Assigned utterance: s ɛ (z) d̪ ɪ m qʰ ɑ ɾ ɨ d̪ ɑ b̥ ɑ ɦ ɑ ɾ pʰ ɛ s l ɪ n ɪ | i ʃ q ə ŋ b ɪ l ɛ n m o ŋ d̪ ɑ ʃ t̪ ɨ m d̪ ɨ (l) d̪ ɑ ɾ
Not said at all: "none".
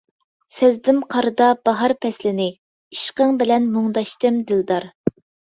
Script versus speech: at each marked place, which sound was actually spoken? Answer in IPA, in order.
z, l

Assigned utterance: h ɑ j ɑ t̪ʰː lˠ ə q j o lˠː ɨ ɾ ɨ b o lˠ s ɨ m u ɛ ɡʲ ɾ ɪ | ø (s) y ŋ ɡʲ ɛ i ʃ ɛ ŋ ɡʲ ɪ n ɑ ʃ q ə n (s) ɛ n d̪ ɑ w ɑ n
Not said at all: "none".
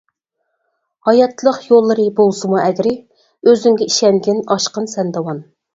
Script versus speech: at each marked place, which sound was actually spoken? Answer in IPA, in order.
z, s

